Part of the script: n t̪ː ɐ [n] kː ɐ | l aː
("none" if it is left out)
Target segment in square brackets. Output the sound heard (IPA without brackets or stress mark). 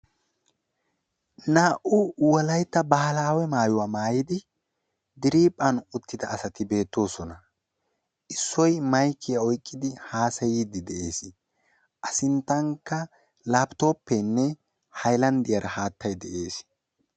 ŋ